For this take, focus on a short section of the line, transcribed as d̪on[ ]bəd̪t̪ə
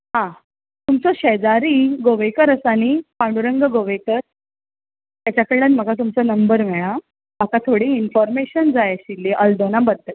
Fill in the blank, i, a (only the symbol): a